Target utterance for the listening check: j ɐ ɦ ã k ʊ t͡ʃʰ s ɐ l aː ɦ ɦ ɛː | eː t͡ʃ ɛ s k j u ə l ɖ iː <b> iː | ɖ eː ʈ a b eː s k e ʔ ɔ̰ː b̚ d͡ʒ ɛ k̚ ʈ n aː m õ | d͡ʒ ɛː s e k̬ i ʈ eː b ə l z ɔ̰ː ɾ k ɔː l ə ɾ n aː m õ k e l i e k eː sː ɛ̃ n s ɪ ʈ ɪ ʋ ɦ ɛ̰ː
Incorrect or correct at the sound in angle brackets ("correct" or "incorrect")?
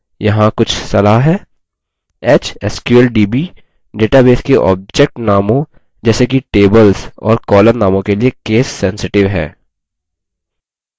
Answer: correct